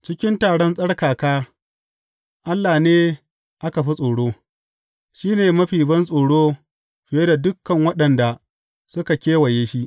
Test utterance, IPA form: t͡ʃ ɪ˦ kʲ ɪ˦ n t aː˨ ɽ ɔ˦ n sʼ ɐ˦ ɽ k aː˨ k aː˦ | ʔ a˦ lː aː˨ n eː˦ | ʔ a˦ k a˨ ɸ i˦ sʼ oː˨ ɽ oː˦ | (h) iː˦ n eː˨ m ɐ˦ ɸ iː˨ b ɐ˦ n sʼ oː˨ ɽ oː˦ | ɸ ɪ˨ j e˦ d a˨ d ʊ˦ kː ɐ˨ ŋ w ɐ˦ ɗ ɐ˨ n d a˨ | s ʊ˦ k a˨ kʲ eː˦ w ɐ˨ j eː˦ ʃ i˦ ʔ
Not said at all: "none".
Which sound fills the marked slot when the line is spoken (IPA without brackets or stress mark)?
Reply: ʃ